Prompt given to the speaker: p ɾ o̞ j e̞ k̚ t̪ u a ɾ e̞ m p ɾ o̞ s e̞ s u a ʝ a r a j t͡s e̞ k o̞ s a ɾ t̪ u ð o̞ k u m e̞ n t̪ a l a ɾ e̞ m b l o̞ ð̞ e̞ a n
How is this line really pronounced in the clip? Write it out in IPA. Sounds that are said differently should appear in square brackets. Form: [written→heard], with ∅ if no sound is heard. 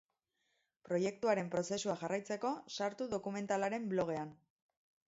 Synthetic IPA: p ɾ o̞ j e̞ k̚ t̪ u a ɾ e̞ m p ɾ o̞ s e̞ s u a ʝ a r a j t͡s e̞ k o̞ s a ɾ t̪ u ð o̞ k u m e̞ n t̪ a l a ɾ e̞ m b l o̞ [ð̞→ɣ̞] e̞ a n